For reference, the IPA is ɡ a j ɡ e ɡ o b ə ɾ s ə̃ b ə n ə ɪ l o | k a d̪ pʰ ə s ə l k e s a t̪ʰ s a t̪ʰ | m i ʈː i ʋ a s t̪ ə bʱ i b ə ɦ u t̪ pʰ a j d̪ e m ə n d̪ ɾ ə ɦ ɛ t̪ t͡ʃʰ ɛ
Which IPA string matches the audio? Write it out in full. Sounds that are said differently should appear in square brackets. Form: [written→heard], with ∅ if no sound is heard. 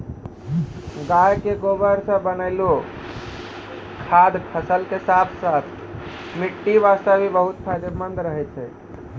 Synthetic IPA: ɡ a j [ɡ→k] e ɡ o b ə ɾ s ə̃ b ə n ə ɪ l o | [k→kʰ] a d̪ pʰ ə s ə l k e s a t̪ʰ s a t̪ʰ | m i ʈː i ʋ a s t̪ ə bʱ i b ə ɦ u t̪ pʰ a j d̪ e m ə n d̪ ɾ ə ɦ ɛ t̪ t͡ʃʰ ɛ